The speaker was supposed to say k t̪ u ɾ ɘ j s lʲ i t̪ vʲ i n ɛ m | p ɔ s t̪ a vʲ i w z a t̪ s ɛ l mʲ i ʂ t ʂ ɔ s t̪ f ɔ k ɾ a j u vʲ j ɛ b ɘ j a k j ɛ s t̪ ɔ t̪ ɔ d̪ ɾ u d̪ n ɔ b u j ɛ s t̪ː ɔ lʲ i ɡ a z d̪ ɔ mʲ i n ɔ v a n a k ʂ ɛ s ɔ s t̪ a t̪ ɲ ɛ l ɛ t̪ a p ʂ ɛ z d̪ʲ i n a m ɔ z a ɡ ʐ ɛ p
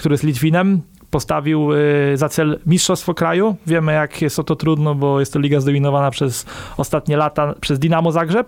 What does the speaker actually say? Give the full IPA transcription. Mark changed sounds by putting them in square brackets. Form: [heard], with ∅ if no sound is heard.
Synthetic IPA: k t̪ u ɾ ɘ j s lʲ i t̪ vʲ i n ɛ m | p ɔ s t̪ a vʲ i w z a t̪ s ɛ l mʲ i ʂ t ʂ ɔ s t̪ f ɔ k ɾ a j u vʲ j ɛ [m] ɘ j a k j ɛ s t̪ ɔ t̪ ɔ [t̪] ɾ u d̪ n ɔ b [ɔ] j ɛ s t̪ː ɔ lʲ i ɡ a z d̪ ɔ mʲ i n ɔ v a n a [p] ʂ ɛ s ɔ s t̪ a t̪ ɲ ɛ l [a] t̪ a p ʂ ɛ z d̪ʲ i n a m ɔ z a ɡ ʐ ɛ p